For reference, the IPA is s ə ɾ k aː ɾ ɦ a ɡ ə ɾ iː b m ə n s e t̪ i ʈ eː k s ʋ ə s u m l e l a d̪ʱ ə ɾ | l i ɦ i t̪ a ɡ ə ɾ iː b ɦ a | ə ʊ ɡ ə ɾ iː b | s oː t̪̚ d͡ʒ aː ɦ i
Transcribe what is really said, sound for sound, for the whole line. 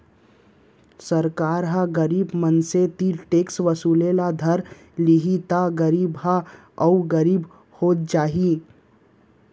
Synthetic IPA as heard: s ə ɾ k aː ɾ ɦ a ɡ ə ɾ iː b m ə n s e t̪ i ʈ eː k s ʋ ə s u l e l a d̪ʱ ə ɾ | l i ɦ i t̪ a ɡ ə ɾ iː b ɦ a | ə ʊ ɡ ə ɾ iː b | h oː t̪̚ d͡ʒ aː ɦ i